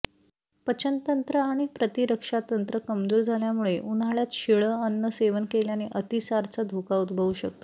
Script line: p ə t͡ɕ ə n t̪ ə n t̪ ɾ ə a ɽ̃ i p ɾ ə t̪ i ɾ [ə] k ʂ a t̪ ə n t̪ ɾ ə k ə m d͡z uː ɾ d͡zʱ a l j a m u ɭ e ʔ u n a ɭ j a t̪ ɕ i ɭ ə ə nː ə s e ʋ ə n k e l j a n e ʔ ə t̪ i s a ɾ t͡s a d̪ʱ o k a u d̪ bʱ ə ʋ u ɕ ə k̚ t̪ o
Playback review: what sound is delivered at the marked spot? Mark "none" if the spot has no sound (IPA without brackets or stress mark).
ə